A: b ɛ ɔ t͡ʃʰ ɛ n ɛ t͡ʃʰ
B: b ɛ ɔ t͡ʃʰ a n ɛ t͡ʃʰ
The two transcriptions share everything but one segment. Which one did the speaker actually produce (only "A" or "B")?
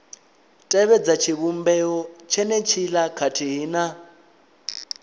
A